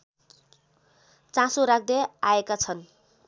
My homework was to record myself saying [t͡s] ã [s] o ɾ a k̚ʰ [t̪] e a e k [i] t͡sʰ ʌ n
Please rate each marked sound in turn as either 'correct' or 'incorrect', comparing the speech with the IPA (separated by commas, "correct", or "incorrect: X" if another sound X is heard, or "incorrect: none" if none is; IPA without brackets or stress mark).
correct, correct, incorrect: d̪, incorrect: a